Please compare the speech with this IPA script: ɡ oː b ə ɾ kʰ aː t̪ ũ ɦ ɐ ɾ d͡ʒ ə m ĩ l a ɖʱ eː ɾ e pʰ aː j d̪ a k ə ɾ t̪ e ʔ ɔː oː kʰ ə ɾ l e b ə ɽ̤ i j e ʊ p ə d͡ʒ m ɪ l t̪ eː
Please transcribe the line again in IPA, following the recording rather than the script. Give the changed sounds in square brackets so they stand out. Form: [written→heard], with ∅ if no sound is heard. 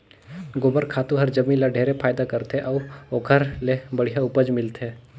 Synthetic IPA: ɡ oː b ə ɾ kʰ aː t̪ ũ ɦ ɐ ɾ d͡ʒ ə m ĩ l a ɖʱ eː ɾ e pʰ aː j d̪ a k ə ɾ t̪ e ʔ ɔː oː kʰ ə ɾ l e b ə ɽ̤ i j [e→a] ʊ p ə d͡ʒ m ɪ l t̪ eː